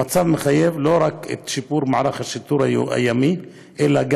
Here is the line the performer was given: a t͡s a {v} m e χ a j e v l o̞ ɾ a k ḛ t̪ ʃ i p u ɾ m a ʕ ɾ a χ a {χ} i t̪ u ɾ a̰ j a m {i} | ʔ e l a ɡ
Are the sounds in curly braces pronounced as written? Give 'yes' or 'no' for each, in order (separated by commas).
yes, no, yes